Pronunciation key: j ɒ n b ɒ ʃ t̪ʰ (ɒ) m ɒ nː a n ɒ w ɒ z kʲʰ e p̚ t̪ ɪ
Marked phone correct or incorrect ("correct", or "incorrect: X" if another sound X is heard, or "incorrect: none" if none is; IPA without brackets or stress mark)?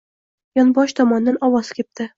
correct